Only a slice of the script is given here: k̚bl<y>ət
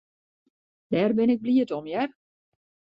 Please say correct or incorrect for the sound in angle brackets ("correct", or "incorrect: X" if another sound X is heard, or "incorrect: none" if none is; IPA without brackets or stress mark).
incorrect: i